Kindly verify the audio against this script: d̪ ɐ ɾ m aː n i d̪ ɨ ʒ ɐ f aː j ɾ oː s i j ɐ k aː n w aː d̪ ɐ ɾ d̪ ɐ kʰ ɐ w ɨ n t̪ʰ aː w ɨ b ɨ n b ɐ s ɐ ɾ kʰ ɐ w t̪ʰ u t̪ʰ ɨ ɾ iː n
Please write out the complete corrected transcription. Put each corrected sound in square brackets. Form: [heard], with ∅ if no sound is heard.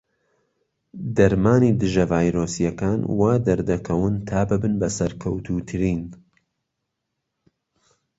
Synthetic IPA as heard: d̪ ɐ ɾ m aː n i d̪ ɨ ʒ ɐ [v] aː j ɾ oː s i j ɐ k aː n w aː d̪ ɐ ɾ d̪ ɐ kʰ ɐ w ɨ n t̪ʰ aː [b] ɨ b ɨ n b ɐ s ɐ ɾ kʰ ɐ w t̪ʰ u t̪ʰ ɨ ɾ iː n